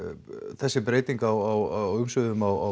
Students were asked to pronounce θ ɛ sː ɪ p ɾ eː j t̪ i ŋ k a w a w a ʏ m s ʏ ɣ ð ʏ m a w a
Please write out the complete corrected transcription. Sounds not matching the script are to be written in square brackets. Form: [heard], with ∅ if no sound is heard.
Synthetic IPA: θ ɛ sː ɪ p ɾ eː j t̪ i ŋ k a w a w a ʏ m s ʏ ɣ ð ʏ m a w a